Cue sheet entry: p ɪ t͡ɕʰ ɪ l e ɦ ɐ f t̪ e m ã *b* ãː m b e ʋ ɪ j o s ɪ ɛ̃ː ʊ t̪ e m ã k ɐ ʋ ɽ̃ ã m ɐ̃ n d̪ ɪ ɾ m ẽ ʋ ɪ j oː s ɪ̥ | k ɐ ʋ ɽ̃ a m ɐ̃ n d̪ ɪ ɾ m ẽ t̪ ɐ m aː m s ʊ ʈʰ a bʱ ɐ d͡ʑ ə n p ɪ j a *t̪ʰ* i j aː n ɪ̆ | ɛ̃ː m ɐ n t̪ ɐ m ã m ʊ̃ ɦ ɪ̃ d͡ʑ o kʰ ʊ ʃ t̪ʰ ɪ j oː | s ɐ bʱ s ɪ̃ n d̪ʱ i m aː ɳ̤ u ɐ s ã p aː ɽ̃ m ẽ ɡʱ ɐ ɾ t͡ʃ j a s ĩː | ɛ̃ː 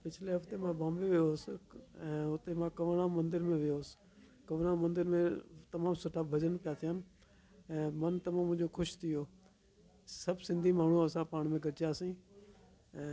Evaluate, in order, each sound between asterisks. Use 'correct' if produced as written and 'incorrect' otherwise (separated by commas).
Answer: correct, correct